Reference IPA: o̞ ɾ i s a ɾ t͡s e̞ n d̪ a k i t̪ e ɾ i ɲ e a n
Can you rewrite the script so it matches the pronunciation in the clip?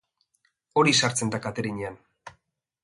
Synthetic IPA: o̞ ɾ i s a ɾ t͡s e̞ n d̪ a k a t̪ e ɾ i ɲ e a n